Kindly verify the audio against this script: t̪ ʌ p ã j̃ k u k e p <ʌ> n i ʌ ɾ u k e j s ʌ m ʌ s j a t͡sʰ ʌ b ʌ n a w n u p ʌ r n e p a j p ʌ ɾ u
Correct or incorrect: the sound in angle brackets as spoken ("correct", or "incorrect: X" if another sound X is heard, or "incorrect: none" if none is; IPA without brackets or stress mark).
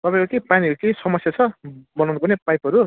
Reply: incorrect: a